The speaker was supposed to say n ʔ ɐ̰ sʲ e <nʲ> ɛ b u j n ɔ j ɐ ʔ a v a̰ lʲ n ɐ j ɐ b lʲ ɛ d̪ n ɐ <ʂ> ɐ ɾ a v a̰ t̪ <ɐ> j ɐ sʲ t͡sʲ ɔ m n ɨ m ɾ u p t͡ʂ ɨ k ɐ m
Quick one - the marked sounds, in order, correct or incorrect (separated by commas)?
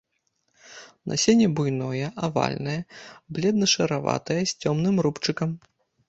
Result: correct, correct, correct